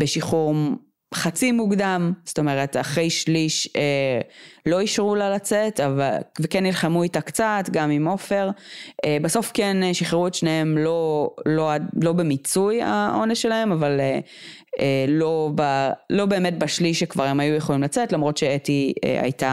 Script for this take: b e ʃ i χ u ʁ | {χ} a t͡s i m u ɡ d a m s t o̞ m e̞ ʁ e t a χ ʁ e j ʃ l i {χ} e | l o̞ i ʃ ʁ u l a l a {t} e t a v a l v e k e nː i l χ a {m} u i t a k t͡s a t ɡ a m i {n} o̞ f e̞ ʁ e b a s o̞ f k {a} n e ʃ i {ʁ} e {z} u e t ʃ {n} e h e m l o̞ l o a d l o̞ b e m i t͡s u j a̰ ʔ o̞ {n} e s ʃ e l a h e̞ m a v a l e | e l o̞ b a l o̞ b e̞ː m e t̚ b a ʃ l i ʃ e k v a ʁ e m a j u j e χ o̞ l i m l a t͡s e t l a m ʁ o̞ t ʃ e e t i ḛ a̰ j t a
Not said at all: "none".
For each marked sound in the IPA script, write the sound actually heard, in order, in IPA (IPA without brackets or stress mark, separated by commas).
χ, ʃ, t͡s, m, m, e, χ, ʁ, n, n